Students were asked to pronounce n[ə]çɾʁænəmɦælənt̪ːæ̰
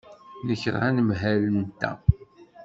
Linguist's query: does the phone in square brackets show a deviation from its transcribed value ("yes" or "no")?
no